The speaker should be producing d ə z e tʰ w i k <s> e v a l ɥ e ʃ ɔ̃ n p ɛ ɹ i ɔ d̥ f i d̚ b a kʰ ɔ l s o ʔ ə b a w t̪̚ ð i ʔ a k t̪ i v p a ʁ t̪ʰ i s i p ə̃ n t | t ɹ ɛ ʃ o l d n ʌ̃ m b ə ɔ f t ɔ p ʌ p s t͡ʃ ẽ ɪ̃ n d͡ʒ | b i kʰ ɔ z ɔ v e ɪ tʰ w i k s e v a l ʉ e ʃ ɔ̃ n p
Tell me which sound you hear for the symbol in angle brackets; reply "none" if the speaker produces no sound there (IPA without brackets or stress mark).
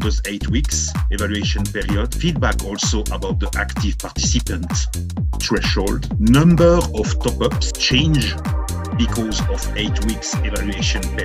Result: s